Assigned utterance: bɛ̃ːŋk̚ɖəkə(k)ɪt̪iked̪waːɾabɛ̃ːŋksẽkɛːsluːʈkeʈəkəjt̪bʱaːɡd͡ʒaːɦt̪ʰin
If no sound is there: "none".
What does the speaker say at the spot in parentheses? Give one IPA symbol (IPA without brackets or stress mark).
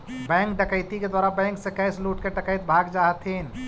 none